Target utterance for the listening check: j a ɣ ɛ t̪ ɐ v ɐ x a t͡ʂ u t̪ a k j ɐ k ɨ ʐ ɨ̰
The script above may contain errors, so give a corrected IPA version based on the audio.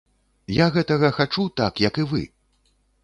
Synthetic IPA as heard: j a ɣ ɛ t̪ ɐ ɣ ɐ x a t͡ʂ u t̪ a k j ɐ k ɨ v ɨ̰